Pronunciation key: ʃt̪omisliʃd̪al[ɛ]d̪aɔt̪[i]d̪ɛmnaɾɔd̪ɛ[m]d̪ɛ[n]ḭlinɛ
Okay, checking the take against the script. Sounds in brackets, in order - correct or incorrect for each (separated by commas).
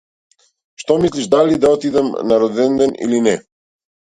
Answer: incorrect, correct, incorrect, correct